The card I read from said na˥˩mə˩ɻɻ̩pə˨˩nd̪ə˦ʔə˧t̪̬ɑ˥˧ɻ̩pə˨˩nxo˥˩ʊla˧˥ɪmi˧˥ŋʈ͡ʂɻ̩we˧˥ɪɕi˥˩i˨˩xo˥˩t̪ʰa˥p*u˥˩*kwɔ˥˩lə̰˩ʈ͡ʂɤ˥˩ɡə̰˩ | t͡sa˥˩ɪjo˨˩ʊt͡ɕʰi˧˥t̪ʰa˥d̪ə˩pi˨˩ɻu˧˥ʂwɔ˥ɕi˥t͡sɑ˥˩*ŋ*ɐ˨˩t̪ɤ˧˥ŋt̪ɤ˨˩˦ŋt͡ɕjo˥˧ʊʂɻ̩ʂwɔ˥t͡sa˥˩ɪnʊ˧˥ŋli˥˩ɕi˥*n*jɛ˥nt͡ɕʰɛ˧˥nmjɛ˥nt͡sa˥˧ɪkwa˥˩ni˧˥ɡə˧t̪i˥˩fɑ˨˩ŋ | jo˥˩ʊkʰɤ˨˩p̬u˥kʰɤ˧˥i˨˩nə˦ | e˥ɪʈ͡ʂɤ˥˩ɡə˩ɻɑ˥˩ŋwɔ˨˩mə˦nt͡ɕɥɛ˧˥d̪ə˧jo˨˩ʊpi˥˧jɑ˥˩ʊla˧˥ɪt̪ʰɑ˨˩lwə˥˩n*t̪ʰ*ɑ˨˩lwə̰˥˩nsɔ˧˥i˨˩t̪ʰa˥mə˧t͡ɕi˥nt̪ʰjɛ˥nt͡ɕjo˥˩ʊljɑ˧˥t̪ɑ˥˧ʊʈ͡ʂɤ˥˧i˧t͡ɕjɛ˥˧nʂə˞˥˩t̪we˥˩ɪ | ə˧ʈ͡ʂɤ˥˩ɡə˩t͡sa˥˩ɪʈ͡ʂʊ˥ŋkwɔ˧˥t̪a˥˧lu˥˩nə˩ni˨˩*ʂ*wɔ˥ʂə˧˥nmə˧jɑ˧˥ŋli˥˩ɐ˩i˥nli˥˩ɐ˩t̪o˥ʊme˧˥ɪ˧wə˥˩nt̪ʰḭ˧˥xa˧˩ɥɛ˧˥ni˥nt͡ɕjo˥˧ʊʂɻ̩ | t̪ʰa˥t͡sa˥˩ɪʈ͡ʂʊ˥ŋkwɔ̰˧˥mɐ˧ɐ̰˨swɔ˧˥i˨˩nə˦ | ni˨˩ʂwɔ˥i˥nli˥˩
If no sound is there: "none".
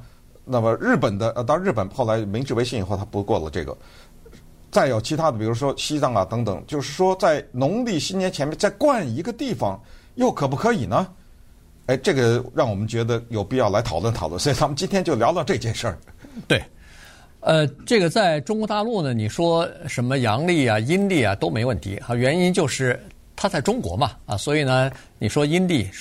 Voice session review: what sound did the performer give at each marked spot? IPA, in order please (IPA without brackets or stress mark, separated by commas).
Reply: u˧˥, ŋ, n, t̪ʰ, ʂ